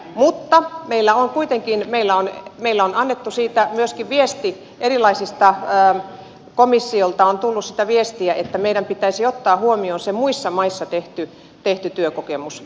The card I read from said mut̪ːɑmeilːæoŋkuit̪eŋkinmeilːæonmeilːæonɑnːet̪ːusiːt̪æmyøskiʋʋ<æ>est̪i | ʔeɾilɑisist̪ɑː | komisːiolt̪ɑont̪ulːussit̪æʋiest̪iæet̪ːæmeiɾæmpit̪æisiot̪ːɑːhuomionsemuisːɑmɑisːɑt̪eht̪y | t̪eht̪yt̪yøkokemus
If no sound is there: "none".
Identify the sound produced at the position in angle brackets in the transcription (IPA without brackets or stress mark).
i